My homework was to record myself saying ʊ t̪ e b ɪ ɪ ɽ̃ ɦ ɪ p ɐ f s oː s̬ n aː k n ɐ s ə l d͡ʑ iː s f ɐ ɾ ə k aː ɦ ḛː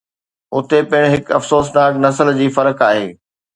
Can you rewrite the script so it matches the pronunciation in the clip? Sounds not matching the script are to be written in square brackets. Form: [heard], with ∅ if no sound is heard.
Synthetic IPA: ʊ t̪ e [p] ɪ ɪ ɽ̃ ɦ ɪ [k] ɐ f s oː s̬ n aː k n ɐ s ə l d͡ʑ iː [∅] f ɐ ɾ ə k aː ɦ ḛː